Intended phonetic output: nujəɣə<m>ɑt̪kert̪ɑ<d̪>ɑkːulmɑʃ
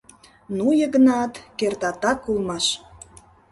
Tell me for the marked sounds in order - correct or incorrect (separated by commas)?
incorrect, incorrect